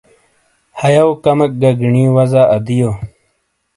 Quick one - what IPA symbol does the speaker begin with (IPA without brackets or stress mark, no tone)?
h